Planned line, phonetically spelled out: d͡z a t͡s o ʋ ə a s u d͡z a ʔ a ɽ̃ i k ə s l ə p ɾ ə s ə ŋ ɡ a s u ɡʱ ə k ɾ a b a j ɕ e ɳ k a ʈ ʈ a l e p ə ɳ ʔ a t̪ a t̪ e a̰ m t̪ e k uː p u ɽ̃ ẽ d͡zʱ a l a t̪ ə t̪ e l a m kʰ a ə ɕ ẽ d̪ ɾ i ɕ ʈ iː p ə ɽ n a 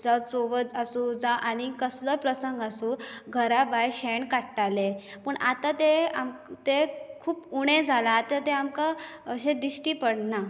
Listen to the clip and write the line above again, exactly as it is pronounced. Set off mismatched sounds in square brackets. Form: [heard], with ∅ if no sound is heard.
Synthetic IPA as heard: d͡z a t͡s o ʋ ə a s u d͡z a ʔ a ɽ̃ i k ə s l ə p ɾ ə s ə ŋ ɡ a s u ɡʱ ə [∅] ɾ a b a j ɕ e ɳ k a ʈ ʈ a l e p ə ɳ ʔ a t̪ a t̪ e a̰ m t̪ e [kʰ] uː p u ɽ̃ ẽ d͡zʱ a l a t̪ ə t̪ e [∅] a m [k] a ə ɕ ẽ d̪ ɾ i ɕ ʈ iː p ə ɽ n a